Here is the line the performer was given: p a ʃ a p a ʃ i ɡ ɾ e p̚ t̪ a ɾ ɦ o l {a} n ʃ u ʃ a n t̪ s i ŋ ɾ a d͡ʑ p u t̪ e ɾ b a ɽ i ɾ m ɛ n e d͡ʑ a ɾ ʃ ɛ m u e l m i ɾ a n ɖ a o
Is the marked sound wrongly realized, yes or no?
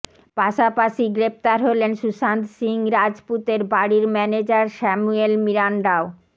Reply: yes